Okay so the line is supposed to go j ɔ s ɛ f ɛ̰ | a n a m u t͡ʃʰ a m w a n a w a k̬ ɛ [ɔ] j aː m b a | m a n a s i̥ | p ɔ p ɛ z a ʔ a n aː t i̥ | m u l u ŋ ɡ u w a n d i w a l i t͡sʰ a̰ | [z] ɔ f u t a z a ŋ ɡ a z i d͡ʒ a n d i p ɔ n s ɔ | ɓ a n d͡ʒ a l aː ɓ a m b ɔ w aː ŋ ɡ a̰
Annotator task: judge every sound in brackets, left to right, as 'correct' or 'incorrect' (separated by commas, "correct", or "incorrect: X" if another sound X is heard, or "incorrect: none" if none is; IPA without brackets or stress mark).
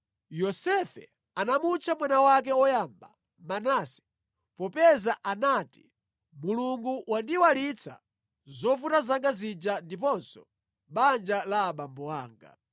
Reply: correct, correct